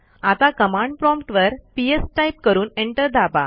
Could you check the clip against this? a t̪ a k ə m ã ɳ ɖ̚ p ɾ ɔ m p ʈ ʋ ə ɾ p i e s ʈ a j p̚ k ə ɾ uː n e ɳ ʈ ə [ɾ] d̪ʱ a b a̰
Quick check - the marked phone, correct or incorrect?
correct